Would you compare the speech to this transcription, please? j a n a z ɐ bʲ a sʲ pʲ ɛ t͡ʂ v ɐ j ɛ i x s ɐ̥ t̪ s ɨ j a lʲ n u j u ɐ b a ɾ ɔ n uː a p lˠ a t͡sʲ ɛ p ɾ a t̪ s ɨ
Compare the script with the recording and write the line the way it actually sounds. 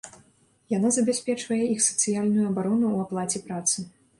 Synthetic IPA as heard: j a n a z ɐ bʲ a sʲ pʲ ɛ t͡ʂ v ɐ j ɛ i x s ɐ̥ t̪ s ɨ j a lʲ n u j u ɐ b a ɾ ɔ n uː a p lˠ a t͡sʲ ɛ p ɾ a t̪ s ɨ